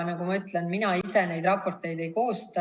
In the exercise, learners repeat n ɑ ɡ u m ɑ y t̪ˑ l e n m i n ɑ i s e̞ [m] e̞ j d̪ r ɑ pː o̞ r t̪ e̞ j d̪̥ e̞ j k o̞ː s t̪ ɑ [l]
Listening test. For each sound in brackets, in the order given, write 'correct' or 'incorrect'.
incorrect, incorrect

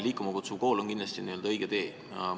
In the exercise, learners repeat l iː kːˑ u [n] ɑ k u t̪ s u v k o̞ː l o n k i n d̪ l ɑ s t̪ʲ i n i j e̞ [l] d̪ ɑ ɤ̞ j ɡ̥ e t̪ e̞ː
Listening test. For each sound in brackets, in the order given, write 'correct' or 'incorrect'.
incorrect, correct

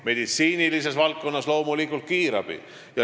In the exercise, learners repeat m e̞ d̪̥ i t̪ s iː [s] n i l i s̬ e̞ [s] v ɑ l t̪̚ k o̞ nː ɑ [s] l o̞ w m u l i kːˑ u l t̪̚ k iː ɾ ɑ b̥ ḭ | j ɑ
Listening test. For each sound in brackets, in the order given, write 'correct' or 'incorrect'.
incorrect, correct, correct

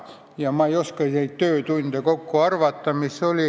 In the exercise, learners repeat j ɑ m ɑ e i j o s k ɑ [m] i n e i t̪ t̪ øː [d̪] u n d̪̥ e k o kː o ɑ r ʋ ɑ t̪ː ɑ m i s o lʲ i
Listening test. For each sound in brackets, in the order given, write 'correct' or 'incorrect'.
incorrect, incorrect

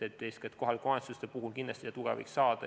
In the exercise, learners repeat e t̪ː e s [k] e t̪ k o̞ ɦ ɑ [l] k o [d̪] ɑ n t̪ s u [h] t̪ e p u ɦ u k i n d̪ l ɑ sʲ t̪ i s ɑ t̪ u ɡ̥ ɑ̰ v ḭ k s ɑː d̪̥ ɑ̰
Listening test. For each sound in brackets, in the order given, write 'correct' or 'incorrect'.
correct, correct, incorrect, incorrect

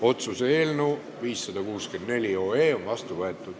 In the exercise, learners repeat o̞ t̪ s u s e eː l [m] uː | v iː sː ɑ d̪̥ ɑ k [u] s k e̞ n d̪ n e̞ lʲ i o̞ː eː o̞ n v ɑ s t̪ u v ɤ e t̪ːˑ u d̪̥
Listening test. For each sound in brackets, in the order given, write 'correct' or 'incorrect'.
incorrect, incorrect

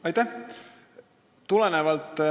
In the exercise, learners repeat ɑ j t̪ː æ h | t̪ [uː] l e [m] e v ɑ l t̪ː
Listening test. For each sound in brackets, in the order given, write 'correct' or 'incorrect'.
incorrect, incorrect

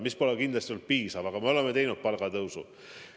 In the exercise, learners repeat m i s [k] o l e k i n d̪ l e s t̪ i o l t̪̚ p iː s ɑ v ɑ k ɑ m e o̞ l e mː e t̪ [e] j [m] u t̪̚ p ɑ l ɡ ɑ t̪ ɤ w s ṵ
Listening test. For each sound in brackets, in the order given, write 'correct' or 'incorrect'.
incorrect, correct, incorrect

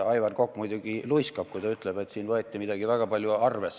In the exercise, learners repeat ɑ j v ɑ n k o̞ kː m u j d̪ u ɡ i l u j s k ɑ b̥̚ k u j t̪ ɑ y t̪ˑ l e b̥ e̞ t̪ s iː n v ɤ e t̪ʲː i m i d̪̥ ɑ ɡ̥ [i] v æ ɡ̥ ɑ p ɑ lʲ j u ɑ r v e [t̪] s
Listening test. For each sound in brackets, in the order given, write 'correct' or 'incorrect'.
correct, incorrect

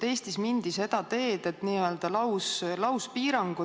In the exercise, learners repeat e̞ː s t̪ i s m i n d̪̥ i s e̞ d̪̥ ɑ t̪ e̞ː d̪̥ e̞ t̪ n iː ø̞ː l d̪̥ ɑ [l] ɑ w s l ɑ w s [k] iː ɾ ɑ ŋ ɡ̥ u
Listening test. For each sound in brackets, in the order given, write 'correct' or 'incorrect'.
correct, incorrect

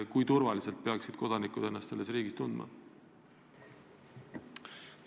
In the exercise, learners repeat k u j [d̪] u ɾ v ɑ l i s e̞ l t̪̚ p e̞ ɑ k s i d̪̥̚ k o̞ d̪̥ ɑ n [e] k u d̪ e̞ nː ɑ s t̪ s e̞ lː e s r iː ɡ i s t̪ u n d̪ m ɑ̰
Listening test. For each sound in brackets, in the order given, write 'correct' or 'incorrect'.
incorrect, incorrect

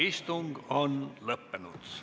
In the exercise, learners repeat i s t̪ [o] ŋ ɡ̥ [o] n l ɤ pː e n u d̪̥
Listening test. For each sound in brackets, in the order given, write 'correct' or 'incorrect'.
incorrect, correct

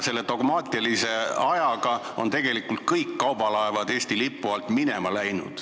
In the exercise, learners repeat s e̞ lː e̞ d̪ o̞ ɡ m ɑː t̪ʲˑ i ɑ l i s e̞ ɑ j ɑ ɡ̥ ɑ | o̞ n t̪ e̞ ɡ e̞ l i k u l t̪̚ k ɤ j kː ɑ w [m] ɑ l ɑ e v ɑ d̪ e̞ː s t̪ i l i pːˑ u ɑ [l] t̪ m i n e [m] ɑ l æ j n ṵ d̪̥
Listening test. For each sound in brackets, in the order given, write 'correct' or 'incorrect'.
incorrect, correct, correct

